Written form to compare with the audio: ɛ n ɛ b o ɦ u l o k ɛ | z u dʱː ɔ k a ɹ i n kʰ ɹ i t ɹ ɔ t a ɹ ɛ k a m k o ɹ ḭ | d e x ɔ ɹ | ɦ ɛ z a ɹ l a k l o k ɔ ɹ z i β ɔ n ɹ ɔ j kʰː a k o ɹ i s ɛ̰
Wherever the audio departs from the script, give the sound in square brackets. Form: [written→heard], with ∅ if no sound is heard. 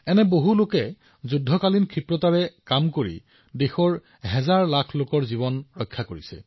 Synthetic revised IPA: ɛ n ɛ b o ɦ u l o k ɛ | z u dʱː ɔ k a [ɹ→l] i n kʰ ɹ i [t→p] ɹ ɔ t a ɹ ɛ k a m k o ɹ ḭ | d e x ɔ ɹ | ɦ ɛ z a ɹ l a [k→kʰ] l o k ɔ ɹ z i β ɔ n ɹ ɔ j kʰː a k o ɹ i s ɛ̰